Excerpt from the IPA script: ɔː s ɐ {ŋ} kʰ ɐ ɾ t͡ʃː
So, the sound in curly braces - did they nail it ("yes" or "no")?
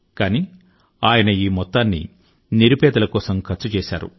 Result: no